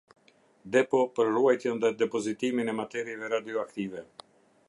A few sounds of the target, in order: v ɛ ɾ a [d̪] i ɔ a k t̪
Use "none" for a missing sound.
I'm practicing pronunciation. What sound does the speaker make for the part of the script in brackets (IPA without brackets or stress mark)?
d̪